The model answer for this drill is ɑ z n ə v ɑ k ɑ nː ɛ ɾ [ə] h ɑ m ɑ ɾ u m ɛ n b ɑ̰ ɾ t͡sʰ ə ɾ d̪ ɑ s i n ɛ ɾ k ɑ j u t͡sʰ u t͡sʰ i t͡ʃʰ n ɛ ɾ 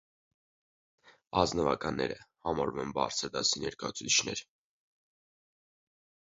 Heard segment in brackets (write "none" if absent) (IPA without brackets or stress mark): ə